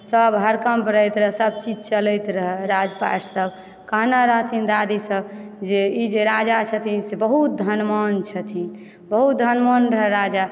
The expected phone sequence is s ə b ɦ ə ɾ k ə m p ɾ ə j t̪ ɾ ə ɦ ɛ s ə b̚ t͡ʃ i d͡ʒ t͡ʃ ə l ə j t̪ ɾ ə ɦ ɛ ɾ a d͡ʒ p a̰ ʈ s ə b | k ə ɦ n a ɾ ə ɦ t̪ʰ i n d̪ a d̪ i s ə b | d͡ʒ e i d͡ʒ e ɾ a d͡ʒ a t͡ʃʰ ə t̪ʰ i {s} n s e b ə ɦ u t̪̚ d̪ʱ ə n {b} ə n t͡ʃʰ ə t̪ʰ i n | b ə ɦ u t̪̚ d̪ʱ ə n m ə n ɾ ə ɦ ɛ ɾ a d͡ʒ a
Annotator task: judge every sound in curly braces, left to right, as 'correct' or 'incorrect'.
incorrect, incorrect

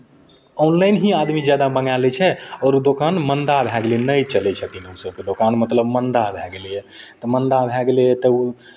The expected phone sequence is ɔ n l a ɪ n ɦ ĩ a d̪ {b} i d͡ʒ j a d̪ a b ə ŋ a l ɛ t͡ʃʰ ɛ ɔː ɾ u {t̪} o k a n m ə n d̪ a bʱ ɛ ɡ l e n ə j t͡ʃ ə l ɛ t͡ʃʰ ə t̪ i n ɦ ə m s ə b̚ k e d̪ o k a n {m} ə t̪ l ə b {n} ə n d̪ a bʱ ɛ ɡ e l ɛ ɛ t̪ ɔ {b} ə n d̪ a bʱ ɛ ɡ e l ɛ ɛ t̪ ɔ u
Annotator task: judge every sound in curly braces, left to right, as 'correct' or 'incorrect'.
incorrect, incorrect, correct, incorrect, incorrect

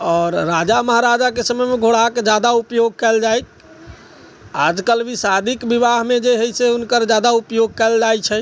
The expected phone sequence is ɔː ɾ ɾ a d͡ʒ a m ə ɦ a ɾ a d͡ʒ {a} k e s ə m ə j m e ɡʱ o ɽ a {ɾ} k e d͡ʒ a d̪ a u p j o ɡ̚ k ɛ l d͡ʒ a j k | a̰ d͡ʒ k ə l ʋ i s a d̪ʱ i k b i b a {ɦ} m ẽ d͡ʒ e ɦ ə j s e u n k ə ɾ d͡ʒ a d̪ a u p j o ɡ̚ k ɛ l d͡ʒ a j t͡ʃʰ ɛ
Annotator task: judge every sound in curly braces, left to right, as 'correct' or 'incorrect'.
correct, incorrect, correct

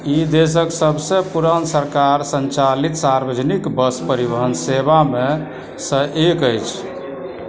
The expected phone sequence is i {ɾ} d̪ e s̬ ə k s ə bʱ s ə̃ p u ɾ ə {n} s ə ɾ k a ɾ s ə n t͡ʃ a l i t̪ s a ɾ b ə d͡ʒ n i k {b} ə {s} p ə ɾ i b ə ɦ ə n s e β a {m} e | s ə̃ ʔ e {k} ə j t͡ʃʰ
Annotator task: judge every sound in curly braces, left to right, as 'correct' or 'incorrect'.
incorrect, correct, correct, correct, correct, correct

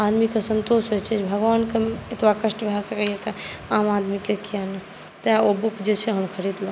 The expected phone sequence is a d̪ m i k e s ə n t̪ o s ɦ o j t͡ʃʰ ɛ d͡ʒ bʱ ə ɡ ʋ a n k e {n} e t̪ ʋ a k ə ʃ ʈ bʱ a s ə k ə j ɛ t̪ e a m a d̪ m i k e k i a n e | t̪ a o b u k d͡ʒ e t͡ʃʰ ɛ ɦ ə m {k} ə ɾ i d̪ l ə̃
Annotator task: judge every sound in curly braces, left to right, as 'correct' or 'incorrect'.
incorrect, incorrect

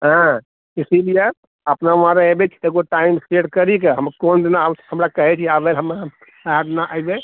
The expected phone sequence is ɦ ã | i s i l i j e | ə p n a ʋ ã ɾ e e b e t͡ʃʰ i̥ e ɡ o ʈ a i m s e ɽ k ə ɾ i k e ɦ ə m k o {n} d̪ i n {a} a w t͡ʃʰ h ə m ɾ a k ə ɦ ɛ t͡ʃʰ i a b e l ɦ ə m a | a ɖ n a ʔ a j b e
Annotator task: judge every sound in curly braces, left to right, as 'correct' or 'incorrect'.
correct, correct

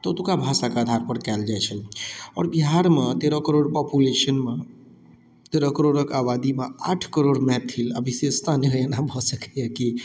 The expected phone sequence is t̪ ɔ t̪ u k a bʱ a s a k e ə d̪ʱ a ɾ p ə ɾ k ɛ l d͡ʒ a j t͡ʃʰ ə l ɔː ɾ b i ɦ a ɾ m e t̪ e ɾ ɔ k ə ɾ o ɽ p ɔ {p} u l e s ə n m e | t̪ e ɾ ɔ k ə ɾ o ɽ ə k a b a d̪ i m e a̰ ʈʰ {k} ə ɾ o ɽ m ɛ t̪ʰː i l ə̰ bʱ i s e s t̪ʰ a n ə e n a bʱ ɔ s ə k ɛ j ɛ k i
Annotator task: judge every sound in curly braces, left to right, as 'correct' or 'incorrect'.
correct, correct

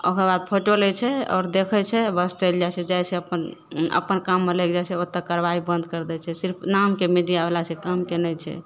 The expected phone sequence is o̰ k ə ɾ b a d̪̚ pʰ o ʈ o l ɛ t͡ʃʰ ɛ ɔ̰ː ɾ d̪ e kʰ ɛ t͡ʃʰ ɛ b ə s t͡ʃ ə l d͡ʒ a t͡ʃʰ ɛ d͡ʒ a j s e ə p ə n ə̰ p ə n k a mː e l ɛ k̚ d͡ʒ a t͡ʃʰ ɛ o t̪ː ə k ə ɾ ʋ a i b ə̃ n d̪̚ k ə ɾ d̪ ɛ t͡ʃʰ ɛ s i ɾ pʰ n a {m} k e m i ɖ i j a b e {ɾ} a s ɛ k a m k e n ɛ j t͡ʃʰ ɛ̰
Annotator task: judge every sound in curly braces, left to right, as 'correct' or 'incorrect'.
correct, incorrect

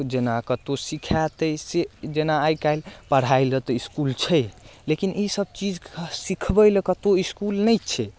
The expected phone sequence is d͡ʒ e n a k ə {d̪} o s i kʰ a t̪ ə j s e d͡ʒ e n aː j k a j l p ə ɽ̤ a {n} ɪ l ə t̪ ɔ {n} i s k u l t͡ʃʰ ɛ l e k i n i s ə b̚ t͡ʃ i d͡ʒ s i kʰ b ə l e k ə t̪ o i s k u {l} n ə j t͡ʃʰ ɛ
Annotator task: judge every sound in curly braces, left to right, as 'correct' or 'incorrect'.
incorrect, incorrect, incorrect, correct

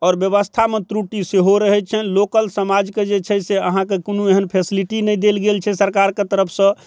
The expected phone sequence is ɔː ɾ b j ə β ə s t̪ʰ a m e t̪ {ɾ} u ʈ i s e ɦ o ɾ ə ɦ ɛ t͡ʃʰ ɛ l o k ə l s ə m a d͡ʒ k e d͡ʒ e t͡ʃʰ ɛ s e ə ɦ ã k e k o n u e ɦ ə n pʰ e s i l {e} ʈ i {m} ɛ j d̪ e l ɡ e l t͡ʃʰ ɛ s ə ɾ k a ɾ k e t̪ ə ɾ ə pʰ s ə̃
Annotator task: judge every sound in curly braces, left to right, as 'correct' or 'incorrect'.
correct, incorrect, incorrect

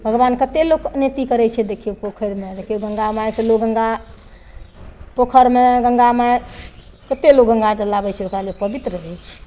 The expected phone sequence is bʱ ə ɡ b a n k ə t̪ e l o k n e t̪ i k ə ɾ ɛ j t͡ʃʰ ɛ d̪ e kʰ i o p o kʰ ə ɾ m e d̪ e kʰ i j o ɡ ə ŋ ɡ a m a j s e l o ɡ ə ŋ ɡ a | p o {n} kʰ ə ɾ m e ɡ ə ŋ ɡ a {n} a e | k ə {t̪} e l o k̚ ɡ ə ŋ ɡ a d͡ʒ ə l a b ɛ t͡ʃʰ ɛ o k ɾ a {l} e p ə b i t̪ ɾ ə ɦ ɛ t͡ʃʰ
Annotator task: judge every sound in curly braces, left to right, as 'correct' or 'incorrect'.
incorrect, incorrect, correct, correct

